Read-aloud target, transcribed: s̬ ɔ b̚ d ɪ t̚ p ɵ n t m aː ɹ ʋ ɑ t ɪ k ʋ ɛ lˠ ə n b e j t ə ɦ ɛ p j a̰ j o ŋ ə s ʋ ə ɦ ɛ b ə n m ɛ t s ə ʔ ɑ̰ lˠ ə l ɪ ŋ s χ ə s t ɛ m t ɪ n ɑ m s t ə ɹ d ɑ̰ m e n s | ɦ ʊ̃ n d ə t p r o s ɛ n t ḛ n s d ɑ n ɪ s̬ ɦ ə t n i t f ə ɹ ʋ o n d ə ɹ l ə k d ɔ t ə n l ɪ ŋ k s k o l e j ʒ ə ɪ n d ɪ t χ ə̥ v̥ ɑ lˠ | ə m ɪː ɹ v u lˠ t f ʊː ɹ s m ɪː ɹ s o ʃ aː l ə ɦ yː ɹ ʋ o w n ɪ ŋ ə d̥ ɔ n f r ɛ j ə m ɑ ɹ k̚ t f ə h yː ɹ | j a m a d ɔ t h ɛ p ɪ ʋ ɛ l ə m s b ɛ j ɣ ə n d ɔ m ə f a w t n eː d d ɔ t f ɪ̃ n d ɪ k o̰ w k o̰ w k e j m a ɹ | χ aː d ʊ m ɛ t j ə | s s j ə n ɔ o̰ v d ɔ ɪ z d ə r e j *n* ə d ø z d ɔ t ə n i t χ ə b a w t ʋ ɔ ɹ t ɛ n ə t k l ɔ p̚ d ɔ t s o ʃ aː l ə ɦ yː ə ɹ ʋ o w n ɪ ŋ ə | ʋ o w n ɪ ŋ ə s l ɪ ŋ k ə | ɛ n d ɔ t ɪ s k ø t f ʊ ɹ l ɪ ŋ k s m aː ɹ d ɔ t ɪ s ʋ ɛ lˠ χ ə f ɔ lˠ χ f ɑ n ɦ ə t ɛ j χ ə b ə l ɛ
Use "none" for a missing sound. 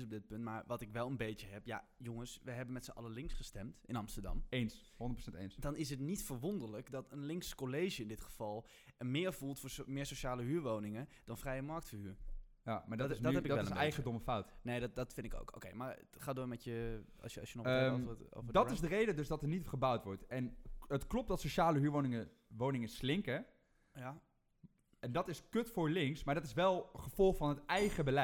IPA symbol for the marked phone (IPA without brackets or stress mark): d